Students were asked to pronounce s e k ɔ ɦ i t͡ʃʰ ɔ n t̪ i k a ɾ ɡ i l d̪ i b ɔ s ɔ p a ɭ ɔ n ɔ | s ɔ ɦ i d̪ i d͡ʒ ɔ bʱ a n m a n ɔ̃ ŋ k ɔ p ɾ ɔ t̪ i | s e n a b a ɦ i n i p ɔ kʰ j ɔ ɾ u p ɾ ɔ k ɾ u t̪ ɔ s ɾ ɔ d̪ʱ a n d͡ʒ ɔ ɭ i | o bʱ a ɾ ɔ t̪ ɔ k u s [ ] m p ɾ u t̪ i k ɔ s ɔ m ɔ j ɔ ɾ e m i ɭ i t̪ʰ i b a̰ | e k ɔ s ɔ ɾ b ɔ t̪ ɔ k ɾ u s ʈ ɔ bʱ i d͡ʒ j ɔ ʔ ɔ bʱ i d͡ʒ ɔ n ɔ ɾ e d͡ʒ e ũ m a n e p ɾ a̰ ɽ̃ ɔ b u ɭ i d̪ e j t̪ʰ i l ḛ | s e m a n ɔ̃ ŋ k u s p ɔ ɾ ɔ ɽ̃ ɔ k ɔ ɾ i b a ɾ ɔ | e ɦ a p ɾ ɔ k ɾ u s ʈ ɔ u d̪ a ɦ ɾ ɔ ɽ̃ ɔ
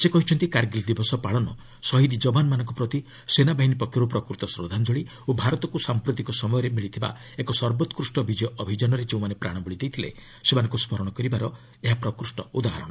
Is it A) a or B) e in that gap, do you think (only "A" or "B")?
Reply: A